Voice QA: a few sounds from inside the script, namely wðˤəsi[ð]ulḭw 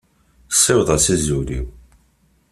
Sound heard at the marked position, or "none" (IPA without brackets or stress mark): z